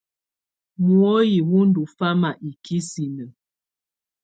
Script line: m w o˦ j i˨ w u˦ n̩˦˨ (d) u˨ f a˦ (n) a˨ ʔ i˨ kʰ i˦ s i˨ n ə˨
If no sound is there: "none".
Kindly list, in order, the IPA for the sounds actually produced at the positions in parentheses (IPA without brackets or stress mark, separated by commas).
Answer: d, m